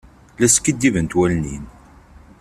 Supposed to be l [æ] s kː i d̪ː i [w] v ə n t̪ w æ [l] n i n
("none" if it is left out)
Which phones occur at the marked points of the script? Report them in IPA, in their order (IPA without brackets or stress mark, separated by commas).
æ, none, l